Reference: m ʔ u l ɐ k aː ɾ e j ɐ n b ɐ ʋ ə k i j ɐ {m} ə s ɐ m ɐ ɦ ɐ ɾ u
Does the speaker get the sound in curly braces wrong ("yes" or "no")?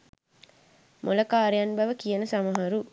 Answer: yes